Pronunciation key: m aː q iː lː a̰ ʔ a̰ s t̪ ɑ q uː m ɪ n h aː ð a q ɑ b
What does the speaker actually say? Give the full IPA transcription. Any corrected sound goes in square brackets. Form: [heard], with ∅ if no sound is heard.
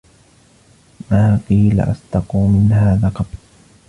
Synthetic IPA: m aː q iː [l] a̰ ʔ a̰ s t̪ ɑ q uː m ɪ n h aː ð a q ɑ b

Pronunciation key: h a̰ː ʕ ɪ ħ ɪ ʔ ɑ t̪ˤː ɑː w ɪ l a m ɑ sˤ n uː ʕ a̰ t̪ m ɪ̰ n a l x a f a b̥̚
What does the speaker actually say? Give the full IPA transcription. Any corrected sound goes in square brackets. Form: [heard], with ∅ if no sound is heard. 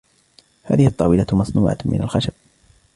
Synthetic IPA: h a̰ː [ð] ɪ [h] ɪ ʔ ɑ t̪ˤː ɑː w ɪ l a m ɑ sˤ n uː ʕ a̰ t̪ m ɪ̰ n a l x a [ʃ] a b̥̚

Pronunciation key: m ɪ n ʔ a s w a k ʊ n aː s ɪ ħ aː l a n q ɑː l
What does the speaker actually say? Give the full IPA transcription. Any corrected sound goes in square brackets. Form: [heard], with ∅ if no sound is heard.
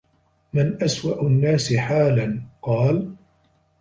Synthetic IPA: m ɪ n ʔ a s w a [ʔ] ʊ [nː] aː s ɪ ħ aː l a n q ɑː l

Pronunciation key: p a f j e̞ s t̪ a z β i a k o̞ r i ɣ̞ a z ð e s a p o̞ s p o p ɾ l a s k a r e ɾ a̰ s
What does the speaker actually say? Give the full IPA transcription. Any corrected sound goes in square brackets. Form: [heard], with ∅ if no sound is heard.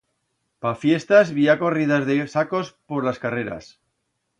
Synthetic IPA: p a f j e̞ s t̪ a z β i a k o̞ r i [ð̞] a z ð e s a [k] o̞ s p o [∅] ɾ l a s k a r e ɾ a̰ s

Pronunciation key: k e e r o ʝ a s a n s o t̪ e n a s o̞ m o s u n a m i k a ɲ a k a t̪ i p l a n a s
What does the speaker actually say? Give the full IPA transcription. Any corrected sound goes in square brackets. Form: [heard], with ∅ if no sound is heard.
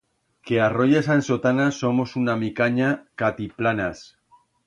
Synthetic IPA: k e [a] r o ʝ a s a n s o t̪ [a] n a s o̞ m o s u n a m i k a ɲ a k a t̪ i p l a n a s

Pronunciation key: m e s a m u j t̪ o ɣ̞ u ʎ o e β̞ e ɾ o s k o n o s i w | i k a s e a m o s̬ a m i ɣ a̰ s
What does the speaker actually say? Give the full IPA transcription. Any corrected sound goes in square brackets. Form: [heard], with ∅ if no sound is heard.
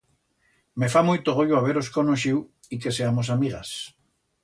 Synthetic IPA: m e [f] a m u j t̪ o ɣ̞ [o] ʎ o [a] β̞ e ɾ o s k o n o [ʃ] i w | i k [e] s e a m o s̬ a m i ɣ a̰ s

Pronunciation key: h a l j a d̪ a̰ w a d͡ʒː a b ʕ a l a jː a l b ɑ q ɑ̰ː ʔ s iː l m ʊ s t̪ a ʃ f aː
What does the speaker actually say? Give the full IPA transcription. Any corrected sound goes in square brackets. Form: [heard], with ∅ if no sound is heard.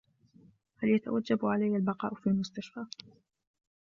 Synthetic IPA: h a l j a [t̪] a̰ w a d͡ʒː a b ʕ a l a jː a l b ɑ q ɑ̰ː ʔ [f] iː l m ʊ s t̪ a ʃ f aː

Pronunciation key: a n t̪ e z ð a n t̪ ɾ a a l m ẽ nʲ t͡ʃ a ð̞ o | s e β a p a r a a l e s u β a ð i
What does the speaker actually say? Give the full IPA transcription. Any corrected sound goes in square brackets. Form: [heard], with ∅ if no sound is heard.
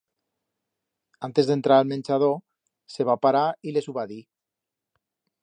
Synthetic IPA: a n t̪ e z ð [e] n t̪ ɾ a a l m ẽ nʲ t͡ʃ a ð̞ o | s e β a p a [ɾ] a [i] l e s u β a ð i

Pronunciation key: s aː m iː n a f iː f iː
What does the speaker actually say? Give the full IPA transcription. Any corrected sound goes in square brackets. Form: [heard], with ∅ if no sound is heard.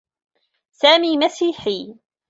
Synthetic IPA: s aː m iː [m] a [s] iː [ħ] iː

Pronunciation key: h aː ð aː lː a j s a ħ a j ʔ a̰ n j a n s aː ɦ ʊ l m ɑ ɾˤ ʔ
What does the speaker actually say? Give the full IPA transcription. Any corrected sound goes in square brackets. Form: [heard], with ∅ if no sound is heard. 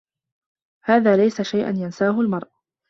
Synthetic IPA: h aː ð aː [l] a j s a [ʃ] a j ʔ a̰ n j a n s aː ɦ ʊ l m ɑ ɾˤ ʔ

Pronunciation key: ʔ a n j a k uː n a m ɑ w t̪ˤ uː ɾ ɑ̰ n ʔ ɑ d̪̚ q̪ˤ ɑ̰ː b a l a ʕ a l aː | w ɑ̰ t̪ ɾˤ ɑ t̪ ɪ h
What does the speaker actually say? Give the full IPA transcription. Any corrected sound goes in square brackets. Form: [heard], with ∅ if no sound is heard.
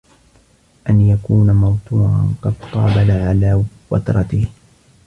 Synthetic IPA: ʔ a n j a k uː n a m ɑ w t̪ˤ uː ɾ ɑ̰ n [q] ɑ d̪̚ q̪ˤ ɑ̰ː b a l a ʕ a l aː | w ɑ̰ t̪ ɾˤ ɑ t̪ ɪ h

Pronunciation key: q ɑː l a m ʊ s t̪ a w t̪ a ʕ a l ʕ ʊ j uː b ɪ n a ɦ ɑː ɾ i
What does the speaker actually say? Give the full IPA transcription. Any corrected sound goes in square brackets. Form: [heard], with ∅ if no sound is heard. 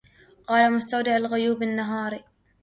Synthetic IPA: q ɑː l a m ʊ s t̪ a w [d̪] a ʕ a l [ɣ] ʊ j uː b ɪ [nː] a ɦ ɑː ɾ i

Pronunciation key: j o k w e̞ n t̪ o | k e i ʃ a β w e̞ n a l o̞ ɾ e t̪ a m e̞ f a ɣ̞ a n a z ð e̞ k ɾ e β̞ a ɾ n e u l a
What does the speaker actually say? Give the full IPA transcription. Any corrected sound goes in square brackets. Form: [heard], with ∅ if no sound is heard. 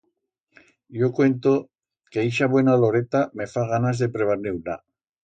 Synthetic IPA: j o k w e̞ n t̪ o | k e i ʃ a β w e̞ n a l o̞ ɾ e t̪ a m e̞ f a ɣ̞ a n a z ð e̞ [p] ɾ e β̞ a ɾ n e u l a

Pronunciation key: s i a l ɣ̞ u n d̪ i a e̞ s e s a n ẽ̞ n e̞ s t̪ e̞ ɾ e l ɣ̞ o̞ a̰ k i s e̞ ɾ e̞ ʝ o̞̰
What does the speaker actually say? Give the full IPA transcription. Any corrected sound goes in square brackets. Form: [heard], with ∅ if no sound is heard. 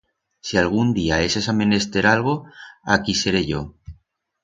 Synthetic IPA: s i a l ɣ̞ u n d̪ i a e̞ s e s a [m] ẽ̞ n e̞ s t̪ e̞ ɾ [a] l ɣ̞ o̞ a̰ k i s e̞ ɾ e̞ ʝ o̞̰

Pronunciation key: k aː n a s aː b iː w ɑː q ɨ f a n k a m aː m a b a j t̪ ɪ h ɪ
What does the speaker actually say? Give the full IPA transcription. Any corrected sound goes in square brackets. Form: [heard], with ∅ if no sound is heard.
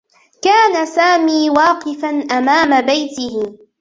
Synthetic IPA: k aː n a s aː [m] iː w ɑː q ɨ f a n [ʔ] a m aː m a b a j t̪ ɪ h ɪ

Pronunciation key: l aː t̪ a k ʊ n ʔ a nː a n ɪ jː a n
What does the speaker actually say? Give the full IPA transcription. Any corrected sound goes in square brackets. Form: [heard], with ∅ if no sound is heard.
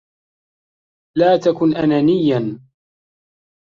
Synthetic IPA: l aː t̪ a k ʊ n ʔ a [n] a n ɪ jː a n

